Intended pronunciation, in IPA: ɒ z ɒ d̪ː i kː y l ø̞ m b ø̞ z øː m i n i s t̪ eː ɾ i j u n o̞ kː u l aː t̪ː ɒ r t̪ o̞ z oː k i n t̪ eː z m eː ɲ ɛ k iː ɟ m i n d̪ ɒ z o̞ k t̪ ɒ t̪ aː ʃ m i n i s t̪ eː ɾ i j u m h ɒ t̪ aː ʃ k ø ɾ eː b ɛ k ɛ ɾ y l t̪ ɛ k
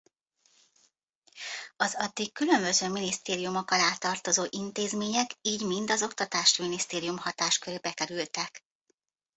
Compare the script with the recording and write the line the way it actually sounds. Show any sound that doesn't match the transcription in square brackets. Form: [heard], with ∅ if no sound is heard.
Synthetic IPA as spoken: ɒ z ɒ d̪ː i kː y l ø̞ m b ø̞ z øː m i n i s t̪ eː ɾ i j u [m] o̞ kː [ɒ] l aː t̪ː ɒ r t̪ o̞ z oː [ʔ] i n t̪ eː z m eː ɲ ɛ k iː ɟ m i n d̪ ɒ z o̞ k t̪ ɒ t̪ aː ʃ m i n i s t̪ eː ɾ i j u m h ɒ t̪ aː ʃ k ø ɾ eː b ɛ k ɛ ɾ y l t̪ ɛ k